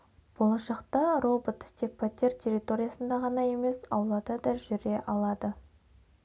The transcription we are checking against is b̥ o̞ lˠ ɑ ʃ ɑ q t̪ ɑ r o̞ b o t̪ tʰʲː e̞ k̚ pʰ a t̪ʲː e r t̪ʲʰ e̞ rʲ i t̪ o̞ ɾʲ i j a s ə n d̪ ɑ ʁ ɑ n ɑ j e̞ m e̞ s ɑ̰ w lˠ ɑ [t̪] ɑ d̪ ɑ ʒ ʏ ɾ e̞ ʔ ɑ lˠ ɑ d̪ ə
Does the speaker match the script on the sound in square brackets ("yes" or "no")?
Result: no